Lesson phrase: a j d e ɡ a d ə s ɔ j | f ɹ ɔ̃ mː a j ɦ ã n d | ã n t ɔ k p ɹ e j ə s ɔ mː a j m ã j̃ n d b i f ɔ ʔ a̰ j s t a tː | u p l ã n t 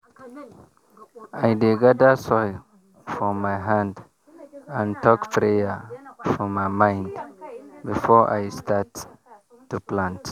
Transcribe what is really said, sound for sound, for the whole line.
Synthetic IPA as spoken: a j d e ɡ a d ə s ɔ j | f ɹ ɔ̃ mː a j ɦ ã n d | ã n t ɔ k p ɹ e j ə f ɔ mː a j m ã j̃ n d b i f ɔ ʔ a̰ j s t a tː | u p l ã n t